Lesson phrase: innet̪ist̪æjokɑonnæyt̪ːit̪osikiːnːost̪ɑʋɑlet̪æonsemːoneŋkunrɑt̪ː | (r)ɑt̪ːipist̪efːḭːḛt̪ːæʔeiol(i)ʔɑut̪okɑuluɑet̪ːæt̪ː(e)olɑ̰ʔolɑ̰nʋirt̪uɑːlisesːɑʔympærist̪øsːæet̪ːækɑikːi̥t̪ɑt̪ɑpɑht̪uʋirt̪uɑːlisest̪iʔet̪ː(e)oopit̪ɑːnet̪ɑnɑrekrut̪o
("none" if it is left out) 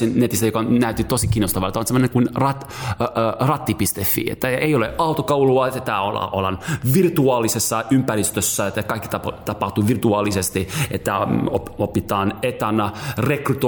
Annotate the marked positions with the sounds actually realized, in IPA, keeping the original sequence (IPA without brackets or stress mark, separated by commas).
r, e, æ, æ